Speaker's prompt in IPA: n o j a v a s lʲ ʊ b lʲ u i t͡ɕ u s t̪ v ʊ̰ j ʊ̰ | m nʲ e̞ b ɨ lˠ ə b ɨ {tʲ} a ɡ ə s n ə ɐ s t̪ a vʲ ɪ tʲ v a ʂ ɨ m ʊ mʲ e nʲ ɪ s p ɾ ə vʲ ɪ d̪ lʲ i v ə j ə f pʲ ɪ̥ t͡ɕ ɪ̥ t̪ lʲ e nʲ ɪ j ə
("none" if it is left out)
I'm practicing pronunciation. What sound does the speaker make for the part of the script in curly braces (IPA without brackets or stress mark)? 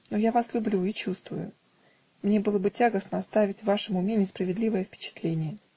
tʲ